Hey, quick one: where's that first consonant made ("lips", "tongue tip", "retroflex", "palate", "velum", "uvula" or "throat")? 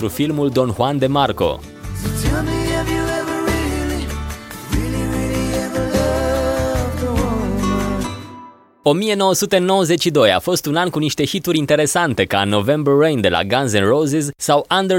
tongue tip